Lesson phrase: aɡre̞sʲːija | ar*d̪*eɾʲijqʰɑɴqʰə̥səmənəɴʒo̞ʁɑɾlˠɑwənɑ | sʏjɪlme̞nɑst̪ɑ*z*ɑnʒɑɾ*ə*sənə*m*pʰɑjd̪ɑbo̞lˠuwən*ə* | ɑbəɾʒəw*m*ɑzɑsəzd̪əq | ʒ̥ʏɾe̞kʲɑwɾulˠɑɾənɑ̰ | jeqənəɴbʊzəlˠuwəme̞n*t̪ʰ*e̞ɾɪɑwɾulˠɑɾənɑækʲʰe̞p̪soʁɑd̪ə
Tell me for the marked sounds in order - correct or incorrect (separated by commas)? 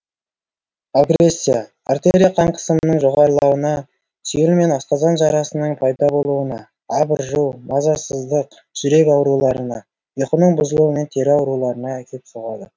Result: incorrect, correct, incorrect, incorrect, incorrect, correct, correct